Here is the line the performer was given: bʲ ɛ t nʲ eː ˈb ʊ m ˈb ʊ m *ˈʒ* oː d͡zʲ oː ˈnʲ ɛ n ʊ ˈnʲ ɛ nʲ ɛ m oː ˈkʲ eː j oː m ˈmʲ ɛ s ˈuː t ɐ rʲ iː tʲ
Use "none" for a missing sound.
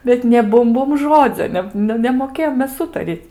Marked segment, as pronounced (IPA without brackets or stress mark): ʒ